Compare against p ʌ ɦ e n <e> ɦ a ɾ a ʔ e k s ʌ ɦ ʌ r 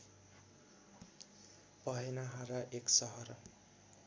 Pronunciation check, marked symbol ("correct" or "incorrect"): incorrect